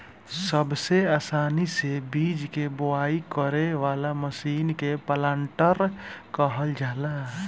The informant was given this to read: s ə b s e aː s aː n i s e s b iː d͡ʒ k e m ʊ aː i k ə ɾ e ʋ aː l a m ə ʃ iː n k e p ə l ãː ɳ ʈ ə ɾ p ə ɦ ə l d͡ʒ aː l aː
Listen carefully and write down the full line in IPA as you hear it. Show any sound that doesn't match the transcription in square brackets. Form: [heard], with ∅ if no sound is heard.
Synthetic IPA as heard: s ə b s e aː s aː n i s e [∅] b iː d͡ʒ k e [b] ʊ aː i k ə ɾ e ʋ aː l a m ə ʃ iː n k e p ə l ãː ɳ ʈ ə ɾ [k] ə ɦ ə l d͡ʒ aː l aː